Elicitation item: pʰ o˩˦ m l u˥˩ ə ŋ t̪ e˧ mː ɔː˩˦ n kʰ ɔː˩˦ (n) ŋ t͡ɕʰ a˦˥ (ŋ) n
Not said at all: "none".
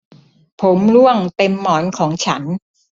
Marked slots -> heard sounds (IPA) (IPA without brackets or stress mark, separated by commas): none, none